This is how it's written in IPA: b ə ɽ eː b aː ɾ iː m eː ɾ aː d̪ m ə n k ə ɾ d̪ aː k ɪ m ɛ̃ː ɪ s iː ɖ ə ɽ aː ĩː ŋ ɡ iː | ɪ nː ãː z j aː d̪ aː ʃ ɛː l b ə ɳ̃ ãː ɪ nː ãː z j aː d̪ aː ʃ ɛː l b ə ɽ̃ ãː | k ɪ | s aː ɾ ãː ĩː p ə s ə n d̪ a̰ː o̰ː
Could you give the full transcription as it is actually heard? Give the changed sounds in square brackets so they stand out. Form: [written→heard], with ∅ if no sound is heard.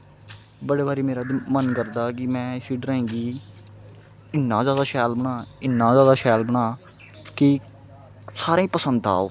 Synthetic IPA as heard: b ə ɽ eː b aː ɾ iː m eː ɾ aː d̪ m ə n k ə ɾ d̪ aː k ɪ m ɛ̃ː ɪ s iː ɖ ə [ɽ→ɾ] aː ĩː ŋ ɡ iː | ɪ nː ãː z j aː d̪ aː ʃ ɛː l b ə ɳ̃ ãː ɪ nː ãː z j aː d̪ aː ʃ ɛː l b ə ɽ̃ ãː | k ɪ | s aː ɾ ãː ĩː p ə s ə n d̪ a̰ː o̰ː